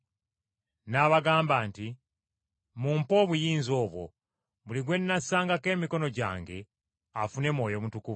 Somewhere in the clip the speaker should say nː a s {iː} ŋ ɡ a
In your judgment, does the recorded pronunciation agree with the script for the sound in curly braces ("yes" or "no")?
no